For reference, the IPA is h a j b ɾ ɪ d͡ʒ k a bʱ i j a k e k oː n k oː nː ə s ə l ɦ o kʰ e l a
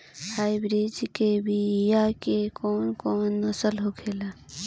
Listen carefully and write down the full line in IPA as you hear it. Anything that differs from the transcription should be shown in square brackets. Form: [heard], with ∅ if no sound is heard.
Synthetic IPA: h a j b ɾ [i] d͡ʒ k [e] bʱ i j a k e k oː n k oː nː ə s ə l ɦ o kʰ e l a